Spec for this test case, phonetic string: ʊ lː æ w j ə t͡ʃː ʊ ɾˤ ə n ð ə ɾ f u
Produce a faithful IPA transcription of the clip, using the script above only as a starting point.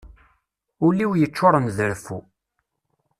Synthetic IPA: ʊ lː i w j ə t͡ʃː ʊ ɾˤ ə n ð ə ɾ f u